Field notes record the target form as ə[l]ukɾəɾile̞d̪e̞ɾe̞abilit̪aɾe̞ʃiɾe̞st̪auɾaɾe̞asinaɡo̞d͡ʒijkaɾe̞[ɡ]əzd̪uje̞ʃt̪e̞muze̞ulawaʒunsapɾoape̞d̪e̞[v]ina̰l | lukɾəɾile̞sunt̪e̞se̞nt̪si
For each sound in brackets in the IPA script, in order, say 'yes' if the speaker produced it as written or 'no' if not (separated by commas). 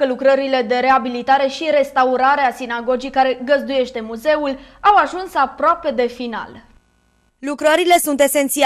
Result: yes, yes, no